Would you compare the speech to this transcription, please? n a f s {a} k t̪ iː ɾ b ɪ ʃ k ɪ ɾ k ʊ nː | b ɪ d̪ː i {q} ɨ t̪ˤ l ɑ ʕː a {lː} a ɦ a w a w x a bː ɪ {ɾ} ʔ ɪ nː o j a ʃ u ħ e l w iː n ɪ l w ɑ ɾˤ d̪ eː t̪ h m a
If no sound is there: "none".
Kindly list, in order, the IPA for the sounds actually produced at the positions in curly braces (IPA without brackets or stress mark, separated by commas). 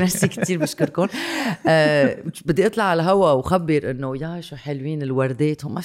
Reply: i, ʔ, l, ɾ